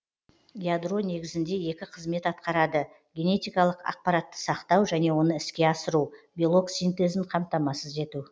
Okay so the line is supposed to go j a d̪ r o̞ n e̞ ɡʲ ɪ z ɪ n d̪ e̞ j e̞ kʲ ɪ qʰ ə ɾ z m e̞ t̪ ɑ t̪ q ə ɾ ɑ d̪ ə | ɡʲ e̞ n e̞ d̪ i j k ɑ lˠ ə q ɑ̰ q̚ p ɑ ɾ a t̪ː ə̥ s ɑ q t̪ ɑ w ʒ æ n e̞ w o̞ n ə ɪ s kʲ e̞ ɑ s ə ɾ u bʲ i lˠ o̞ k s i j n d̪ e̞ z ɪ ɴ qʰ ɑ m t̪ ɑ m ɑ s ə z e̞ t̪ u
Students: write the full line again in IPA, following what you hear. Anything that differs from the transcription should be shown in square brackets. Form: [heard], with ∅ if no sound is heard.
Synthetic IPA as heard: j a d̪ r o̞ n e̞ ɡʲ ɪ z ɪ n d̪ e̞ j e̞ kʲ ɪ qʰ ə [∅] z m e̞ t̪ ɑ t̪ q [ɑ] ɾ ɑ d̪ ə | ɡʲ e̞ n e̞ [t̪] i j k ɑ lˠ ə q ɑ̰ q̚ p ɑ ɾ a t̪ː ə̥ s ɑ q t̪ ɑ w ʒ æ n e̞ w o̞ n ə ɪ s kʲ e̞ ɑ s ə ɾ u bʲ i lˠ o̞ k s i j n [t̪] e̞ z ɪ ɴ qʰ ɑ m t̪ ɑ m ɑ s ə z e̞ t̪ u